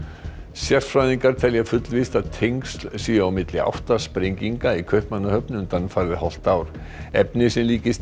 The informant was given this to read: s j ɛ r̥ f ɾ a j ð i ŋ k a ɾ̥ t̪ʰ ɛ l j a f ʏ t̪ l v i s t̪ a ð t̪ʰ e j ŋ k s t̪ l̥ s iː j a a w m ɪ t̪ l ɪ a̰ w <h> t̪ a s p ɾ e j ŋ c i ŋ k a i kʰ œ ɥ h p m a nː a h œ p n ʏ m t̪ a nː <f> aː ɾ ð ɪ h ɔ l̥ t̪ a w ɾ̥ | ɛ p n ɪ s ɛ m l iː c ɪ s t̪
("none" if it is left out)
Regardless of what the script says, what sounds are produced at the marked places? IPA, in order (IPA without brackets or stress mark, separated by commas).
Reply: h, f